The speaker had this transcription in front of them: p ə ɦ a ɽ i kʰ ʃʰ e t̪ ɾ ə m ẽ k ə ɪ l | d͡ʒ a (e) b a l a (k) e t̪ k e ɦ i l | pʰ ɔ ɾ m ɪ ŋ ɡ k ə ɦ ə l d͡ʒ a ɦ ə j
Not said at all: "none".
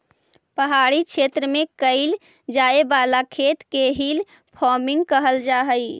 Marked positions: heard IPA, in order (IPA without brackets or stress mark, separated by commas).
e, kʰ